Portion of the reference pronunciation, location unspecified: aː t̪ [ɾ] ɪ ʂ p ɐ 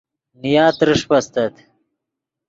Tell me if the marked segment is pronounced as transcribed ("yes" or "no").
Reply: yes